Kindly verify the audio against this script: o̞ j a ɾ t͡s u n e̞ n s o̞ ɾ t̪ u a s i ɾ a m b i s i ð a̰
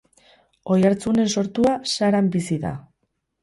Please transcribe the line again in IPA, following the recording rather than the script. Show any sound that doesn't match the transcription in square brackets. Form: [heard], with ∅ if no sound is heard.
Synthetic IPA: o̞ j a ɾ t͡s u n e̞ n s o̞ ɾ t̪ u a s [a] ɾ a m b i s i ð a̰